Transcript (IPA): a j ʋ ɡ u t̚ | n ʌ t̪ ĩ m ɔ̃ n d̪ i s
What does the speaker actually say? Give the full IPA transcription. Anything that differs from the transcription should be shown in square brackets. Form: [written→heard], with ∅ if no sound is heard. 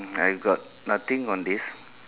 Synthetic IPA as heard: a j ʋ ɡ [u→ɔ] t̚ | n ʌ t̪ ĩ [m→ŋ] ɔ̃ n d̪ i s